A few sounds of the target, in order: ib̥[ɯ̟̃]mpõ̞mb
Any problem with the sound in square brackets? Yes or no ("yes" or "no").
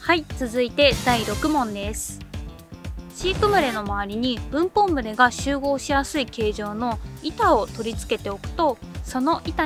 no